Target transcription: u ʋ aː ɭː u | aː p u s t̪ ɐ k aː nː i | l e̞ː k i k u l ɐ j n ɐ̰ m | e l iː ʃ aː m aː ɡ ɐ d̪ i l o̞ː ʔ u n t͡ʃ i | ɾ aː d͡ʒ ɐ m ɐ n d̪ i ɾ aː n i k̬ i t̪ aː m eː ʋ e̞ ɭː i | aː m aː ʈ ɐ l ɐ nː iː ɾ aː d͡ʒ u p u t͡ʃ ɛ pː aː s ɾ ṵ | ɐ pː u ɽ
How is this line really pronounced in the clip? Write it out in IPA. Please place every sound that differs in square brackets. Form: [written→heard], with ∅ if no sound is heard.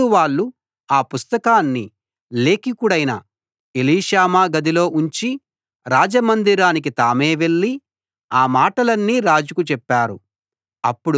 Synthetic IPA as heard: u ʋ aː ɭː u | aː p u s t̪ ɐ k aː nː i | l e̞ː k i k u [l→ɽ] ɐ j n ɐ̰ [m→∅] | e l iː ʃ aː m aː ɡ ɐ d̪ i l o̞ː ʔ u [n→ɲ] t͡ʃ i | ɾ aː d͡ʒ ɐ m ɐ n d̪ i ɾ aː n i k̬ i t̪ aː m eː ʋ e̞ ɭː i | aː m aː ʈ ɐ l ɐ nː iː ɾ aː d͡ʒ u [p→k] u t͡ʃ ɛ pː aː [s→∅] ɾ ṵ | ɐ pː u ɽ